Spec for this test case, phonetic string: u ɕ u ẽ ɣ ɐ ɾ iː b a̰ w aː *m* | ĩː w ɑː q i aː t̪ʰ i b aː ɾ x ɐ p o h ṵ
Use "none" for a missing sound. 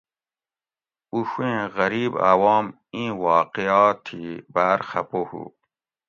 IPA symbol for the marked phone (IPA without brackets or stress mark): m